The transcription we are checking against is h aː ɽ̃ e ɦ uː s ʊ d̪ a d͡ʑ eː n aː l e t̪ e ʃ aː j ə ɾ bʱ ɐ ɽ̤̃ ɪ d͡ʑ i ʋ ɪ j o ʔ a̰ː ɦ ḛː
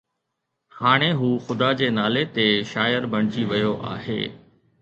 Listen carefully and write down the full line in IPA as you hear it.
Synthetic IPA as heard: h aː ɽ̃ e ɦ uː x ʊ d̪ a d͡ʑ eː n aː l e t̪ e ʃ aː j ə ɾ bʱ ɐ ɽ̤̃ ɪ d͡ʑ i ʋ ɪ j o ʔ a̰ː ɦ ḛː